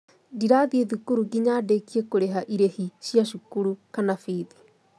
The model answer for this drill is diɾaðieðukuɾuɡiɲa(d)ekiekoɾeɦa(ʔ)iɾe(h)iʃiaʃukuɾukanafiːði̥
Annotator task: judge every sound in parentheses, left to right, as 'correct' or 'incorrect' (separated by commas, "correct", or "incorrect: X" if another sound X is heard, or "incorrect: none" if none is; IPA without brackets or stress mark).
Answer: correct, correct, correct